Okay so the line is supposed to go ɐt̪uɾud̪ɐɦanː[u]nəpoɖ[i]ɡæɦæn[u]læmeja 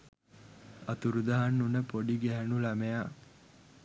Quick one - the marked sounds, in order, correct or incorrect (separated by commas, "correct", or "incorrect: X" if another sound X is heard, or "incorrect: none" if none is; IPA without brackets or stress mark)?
correct, correct, correct